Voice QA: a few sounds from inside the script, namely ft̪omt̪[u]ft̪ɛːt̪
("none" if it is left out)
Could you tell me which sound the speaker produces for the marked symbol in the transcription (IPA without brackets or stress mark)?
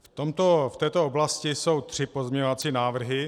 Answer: o